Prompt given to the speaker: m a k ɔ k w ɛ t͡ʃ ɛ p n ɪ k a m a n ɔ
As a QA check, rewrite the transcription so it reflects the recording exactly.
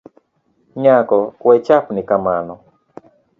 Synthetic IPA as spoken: ɲ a k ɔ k w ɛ t͡ʃ a p n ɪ k a m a n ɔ